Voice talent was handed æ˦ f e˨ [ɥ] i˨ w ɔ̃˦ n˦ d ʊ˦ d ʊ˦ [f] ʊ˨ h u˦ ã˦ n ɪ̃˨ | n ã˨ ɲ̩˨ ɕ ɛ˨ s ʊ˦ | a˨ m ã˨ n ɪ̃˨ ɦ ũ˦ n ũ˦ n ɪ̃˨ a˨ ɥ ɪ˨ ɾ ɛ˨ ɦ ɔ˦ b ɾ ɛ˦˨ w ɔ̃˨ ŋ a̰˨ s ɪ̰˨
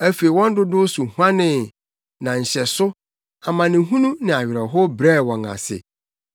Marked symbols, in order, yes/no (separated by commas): no, no